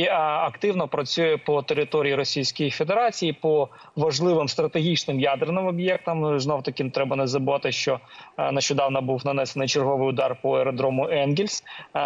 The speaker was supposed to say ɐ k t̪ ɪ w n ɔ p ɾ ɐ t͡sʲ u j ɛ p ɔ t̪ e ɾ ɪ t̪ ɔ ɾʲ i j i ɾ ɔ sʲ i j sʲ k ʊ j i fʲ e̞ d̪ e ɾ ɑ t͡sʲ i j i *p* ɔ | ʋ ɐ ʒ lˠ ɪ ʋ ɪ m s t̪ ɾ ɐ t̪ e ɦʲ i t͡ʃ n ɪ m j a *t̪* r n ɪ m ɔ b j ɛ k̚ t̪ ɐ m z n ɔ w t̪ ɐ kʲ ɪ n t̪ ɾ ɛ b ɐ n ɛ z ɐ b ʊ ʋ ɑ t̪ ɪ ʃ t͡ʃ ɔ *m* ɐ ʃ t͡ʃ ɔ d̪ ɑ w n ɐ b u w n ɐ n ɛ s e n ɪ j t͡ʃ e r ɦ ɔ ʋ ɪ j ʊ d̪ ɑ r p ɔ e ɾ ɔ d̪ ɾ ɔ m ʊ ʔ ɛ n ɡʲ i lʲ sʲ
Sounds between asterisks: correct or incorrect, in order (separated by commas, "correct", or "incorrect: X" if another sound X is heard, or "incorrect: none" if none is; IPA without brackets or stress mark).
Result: correct, incorrect: d̪, incorrect: n